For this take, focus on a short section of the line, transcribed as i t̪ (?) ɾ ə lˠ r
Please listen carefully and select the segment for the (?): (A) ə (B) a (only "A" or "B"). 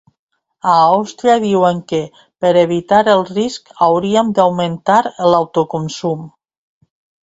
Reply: B